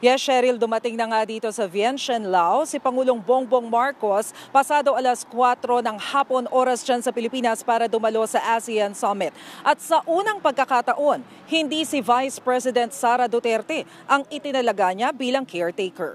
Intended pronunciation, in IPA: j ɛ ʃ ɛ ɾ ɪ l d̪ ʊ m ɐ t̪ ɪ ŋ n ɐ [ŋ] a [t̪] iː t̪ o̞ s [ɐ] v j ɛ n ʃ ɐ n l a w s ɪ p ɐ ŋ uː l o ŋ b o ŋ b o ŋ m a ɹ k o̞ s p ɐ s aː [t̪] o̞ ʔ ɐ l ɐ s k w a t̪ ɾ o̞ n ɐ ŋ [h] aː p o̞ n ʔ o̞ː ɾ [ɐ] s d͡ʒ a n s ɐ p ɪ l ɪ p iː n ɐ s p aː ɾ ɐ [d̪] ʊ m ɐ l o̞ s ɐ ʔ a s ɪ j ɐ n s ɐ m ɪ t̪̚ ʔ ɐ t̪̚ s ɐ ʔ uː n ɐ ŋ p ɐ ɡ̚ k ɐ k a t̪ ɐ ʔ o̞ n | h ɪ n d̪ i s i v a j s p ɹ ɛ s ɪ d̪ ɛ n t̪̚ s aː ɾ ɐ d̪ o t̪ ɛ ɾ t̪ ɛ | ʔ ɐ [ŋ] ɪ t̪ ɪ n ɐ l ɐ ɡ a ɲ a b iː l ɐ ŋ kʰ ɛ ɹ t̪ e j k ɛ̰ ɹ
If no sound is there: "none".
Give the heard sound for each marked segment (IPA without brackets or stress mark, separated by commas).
ŋ, d̪, ɐ, d̪, h, ɐ, d̪, ŋ